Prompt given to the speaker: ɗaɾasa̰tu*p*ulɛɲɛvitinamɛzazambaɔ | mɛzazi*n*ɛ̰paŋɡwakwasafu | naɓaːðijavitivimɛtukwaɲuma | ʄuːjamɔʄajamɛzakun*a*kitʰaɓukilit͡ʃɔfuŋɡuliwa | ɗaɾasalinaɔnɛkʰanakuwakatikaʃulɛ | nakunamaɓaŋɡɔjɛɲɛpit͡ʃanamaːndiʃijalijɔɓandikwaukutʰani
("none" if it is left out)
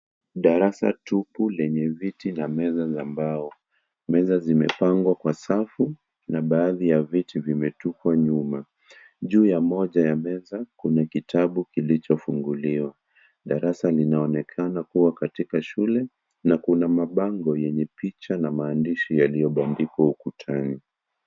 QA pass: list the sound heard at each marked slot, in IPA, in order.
p, m, a

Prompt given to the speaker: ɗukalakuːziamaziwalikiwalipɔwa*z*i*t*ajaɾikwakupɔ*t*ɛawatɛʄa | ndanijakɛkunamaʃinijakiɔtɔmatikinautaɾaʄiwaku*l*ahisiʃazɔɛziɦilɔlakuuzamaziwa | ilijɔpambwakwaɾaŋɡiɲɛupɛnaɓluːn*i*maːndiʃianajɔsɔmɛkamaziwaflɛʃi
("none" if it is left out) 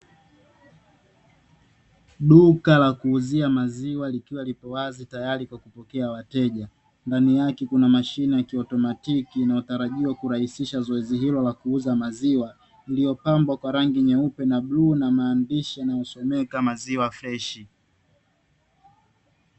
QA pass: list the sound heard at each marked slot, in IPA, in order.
z, t, k, ɾ, a

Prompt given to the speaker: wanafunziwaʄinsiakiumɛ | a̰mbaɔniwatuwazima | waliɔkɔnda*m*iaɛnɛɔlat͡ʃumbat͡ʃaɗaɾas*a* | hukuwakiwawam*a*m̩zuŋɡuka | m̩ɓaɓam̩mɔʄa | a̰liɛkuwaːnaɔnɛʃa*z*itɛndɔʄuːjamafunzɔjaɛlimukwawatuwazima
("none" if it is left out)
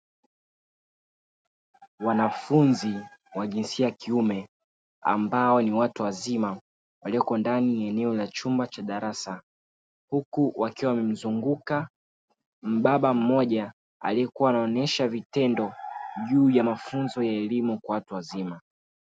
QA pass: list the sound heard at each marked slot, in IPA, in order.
n, a, ɛ, v

